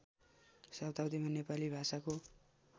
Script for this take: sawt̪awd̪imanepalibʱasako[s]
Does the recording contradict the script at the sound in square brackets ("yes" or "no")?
yes